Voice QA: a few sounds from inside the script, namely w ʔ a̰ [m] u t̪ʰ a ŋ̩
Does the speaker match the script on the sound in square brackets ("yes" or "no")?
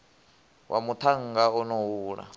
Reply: yes